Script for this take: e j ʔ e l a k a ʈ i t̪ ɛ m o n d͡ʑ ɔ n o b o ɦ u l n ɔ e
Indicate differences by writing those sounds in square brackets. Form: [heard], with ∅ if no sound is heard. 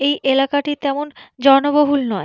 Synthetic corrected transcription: e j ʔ e l a k a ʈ i t̪ ɛ m o n d͡ʑ ɔ n o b o ɦ u l n ɔ e